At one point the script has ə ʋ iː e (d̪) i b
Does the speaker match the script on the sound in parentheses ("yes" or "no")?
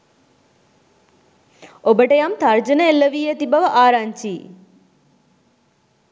no